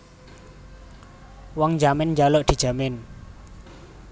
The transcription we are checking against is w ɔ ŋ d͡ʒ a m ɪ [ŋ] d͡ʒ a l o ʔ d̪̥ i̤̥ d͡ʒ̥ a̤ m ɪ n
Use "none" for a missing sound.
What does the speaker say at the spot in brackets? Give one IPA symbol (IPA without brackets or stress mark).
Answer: n